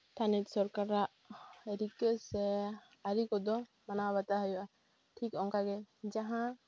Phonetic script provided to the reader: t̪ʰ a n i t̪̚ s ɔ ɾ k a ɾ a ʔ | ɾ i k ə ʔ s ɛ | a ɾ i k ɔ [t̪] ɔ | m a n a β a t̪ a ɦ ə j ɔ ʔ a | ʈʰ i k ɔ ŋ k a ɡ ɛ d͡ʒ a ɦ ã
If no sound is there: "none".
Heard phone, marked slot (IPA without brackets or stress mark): d̪